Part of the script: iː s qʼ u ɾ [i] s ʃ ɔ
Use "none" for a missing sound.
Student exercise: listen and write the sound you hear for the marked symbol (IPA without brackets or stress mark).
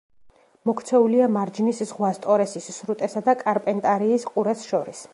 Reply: ɛ